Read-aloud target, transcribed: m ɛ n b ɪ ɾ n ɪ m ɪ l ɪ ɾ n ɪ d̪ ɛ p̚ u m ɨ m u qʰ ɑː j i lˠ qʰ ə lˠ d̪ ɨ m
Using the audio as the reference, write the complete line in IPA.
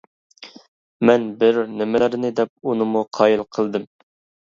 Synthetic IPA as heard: m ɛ n b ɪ ɾ n ɪ m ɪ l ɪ ɾ n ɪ d̪ ɛ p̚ u n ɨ m u qʰ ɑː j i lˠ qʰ ə lˠ d̪ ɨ m